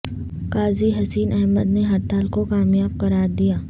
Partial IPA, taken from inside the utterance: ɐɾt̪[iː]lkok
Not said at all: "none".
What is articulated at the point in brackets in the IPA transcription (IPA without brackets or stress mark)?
aː